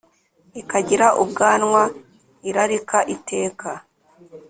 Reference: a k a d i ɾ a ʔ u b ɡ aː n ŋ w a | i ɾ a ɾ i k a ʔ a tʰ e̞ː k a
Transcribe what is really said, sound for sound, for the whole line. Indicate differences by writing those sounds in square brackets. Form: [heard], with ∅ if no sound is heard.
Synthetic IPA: [i] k a [ɟ] i ɾ a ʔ u b ɡ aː n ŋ w a | i ɾ a ɾ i k a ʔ [i] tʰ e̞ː k a